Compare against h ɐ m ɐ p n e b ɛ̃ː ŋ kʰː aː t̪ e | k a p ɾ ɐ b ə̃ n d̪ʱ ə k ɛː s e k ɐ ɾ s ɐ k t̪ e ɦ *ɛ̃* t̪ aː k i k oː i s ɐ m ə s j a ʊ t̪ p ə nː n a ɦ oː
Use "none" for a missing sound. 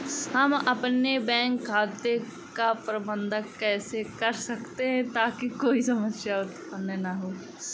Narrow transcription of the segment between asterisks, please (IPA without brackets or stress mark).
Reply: ɛ̃